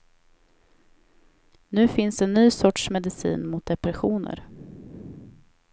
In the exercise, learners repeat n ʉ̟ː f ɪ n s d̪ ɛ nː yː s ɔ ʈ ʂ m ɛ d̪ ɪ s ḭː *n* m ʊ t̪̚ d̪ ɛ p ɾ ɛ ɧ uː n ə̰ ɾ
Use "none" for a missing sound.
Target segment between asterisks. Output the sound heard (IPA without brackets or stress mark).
n